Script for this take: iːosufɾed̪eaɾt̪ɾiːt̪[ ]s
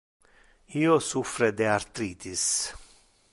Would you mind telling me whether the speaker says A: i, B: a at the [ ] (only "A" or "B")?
A